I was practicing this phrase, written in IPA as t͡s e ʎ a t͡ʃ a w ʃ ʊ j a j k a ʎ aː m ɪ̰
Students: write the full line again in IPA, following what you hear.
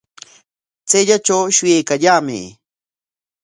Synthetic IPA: t͡s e ʎ a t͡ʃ a w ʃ ʊ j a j k a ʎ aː m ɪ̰